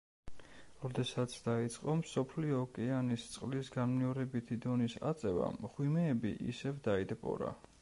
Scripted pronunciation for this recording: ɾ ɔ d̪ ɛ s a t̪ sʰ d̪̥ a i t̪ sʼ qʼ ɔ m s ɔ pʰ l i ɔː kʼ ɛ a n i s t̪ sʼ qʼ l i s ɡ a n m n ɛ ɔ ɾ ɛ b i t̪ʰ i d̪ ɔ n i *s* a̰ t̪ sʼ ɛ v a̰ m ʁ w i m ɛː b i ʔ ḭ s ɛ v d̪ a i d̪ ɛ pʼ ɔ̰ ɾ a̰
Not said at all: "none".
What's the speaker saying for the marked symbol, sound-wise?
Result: s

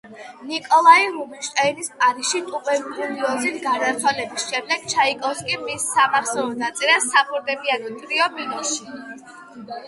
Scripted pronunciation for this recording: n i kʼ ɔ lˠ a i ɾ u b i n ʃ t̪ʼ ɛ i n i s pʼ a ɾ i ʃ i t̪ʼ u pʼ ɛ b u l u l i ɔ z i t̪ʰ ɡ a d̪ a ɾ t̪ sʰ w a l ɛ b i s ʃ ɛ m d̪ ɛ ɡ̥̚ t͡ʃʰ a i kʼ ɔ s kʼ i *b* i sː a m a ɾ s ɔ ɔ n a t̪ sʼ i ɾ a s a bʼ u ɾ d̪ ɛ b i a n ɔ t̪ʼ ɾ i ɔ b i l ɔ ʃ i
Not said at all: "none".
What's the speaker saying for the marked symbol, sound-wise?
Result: m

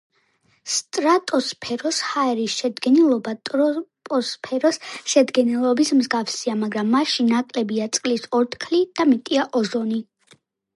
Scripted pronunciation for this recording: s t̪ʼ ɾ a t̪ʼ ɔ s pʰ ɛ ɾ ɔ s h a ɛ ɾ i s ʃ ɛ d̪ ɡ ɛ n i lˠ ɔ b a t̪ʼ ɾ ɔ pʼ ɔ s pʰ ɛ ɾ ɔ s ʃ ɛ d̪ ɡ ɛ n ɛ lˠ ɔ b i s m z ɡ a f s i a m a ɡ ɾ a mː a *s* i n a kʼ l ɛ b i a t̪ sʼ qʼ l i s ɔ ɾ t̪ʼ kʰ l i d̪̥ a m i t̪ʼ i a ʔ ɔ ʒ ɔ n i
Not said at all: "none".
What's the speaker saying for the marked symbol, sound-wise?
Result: ʃ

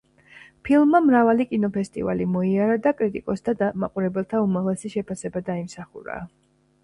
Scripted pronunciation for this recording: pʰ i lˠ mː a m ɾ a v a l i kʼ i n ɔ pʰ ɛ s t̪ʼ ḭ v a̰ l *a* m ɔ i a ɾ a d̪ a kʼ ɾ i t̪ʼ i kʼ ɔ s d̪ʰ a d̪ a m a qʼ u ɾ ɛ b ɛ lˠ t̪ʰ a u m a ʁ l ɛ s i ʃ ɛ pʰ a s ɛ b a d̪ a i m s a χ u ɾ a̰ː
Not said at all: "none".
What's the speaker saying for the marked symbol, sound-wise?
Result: i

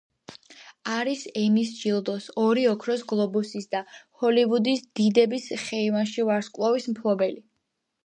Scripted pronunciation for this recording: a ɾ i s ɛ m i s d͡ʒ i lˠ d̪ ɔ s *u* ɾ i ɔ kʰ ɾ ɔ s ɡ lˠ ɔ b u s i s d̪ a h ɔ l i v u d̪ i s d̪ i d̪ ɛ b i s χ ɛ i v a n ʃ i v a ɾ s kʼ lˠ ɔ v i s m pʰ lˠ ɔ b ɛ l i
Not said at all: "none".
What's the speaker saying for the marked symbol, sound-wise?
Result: ɔ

